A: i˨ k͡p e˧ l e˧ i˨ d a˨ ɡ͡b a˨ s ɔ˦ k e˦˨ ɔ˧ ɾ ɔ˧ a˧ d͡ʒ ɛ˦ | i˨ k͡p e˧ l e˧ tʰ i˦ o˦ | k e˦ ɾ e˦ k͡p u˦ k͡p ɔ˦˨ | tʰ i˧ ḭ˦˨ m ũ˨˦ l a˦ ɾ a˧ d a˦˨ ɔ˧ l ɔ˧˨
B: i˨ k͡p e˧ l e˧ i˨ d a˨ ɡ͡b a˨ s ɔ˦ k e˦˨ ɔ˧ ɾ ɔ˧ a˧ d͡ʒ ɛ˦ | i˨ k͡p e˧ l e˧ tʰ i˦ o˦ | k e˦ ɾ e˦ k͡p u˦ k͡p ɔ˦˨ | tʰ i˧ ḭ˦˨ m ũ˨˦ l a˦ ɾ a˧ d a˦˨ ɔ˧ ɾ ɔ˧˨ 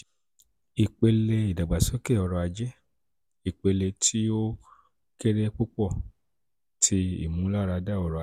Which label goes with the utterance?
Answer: B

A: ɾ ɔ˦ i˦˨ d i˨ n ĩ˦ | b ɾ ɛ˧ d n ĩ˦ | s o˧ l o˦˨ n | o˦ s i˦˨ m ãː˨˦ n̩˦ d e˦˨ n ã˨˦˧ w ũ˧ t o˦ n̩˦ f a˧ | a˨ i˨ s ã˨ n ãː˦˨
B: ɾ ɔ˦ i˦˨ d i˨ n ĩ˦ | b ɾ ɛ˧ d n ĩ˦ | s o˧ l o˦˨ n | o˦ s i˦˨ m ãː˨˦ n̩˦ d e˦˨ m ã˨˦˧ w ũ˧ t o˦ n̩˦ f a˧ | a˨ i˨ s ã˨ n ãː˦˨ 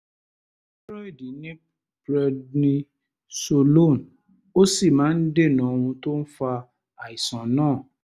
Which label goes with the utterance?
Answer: A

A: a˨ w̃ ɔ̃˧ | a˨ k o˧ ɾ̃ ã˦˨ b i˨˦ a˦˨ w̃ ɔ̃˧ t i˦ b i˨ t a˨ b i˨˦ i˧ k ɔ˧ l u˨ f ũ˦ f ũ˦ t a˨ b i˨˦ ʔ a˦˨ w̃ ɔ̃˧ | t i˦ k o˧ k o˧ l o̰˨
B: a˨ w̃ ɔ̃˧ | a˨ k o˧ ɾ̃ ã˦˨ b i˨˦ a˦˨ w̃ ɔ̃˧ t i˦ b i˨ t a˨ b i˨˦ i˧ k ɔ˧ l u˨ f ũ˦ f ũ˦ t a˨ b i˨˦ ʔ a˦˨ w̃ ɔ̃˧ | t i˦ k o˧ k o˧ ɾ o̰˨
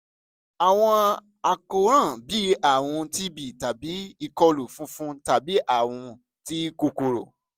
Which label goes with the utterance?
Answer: B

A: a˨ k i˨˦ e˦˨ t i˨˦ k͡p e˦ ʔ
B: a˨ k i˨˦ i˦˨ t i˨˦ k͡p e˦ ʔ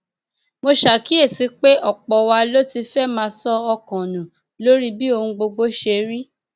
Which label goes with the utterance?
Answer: A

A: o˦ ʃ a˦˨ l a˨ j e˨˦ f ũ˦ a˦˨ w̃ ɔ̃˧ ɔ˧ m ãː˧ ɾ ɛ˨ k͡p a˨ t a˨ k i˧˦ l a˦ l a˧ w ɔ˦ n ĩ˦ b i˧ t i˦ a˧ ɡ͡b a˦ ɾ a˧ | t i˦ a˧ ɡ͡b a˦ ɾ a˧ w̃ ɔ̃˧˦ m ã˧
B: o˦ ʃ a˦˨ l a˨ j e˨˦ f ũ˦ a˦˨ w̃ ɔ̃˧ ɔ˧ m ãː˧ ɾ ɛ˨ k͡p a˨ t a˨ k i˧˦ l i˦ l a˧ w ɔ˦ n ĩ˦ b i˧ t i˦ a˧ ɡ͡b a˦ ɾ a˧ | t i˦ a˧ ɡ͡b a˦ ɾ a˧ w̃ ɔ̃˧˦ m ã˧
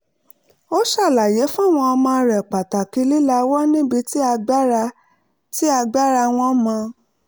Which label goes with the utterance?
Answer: B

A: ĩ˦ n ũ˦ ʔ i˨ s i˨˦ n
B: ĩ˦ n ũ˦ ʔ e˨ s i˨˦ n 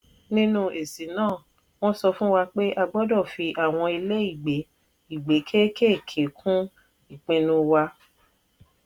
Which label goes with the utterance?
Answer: B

